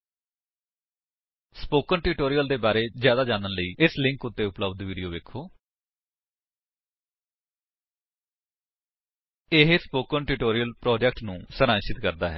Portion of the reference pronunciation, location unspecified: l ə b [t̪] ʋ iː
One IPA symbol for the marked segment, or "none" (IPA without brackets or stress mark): d̪